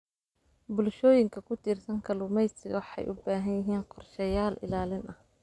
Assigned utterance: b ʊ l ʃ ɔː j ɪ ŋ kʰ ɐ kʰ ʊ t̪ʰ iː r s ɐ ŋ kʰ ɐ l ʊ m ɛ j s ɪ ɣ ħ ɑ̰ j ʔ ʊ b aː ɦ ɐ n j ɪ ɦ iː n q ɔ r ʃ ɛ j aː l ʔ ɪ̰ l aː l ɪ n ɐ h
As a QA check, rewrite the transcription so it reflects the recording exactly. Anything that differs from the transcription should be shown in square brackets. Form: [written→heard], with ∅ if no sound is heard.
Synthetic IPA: b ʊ l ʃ ɔː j ɪ ŋ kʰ ɐ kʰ ʊ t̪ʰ iː r s ɐ ŋ kʰ ɐ l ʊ m ɛ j s ɪ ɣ ħ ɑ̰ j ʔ ʊ b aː ɦ ɐ n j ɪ ɦ iː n q ɔ r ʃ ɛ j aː l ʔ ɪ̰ l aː l ɪ n ɐ h